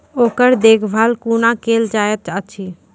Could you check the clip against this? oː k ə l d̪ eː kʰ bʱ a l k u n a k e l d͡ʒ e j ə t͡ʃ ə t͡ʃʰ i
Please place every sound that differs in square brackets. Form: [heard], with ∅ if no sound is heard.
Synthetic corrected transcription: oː k ə [ɾ] d̪ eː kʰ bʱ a l k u n a k e l d͡ʒ [a] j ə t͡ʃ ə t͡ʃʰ i